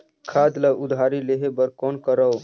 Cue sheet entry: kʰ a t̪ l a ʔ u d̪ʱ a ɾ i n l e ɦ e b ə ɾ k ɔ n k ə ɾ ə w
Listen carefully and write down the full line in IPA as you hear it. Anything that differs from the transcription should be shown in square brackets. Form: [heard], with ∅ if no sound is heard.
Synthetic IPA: kʰ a [d̪] l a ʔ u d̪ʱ a ɾ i [∅] l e ɦ e b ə ɾ k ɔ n k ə ɾ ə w